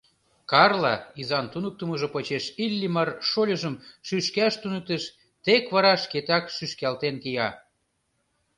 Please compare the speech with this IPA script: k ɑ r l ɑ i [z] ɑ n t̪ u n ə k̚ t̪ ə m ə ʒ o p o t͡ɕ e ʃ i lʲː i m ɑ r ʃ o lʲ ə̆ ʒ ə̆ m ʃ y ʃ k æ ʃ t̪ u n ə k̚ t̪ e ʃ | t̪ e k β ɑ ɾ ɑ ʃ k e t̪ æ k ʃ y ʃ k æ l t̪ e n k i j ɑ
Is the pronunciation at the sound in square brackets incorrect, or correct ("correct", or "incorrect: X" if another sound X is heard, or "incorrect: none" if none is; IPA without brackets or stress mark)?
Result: correct